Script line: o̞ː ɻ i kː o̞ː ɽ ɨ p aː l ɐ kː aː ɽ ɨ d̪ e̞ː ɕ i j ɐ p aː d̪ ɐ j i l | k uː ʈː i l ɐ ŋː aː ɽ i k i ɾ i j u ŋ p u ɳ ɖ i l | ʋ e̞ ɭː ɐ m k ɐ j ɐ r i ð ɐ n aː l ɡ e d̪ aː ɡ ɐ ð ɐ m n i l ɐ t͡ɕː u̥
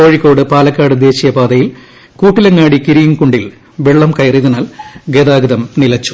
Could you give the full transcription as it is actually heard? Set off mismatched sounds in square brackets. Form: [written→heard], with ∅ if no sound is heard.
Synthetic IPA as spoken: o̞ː ɻ i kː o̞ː ɽ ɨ p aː l ɐ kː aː ɽ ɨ d̪ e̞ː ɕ i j ɐ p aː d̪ ɐ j i l | k uː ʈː i l ɐ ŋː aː ɽ i k i ɾ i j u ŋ [p→k] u ɳ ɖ i l | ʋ e̞ ɭː ɐ m k ɐ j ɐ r i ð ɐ n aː l ɡ e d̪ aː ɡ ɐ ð ɐ m n i l ɐ t͡ɕː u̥